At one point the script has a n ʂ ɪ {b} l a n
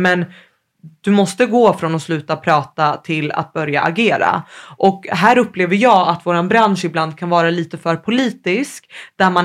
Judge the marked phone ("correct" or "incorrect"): correct